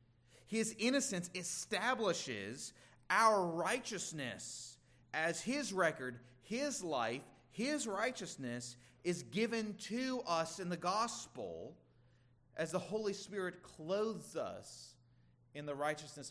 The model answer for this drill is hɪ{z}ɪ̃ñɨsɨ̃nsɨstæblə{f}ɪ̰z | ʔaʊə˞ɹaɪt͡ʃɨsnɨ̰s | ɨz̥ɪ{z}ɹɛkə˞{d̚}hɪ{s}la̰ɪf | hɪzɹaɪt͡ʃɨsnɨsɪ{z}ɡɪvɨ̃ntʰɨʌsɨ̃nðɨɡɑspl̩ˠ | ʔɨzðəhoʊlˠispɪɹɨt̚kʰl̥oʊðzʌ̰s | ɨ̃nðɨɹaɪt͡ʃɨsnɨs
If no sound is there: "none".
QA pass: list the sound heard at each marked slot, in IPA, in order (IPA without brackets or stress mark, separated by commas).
z, ʃ, z, d̚, z, z